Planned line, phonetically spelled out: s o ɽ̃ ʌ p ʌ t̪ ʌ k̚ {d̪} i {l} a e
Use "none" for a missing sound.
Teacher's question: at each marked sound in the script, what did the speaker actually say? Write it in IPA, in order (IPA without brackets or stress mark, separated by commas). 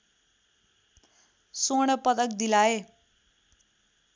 d̪, l